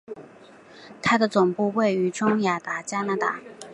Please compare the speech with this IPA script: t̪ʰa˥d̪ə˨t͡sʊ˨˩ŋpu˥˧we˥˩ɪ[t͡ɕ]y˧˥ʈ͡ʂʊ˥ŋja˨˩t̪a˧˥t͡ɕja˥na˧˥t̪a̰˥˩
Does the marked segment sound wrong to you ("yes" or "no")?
yes